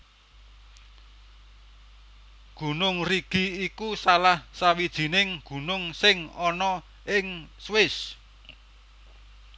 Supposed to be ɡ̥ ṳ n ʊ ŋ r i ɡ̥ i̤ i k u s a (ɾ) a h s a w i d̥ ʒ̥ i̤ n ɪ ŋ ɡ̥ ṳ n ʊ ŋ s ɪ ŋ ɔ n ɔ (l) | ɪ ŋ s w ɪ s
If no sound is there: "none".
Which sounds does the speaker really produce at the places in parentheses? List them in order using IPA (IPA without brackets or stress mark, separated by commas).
l, none